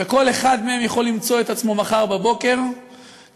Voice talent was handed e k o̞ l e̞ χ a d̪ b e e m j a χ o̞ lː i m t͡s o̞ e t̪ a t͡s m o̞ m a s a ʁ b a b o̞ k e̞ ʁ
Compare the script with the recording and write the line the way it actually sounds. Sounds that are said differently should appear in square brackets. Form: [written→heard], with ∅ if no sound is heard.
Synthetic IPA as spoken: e k o̞ l e̞ χ a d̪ [b→m] e e m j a χ o̞ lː i m t͡s o̞ e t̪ a t͡s m o̞ m a [s→χ] a ʁ b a b o̞ k e̞ ʁ